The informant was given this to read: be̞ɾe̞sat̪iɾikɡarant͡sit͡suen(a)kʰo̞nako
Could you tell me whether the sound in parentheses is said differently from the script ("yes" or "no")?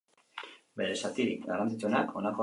no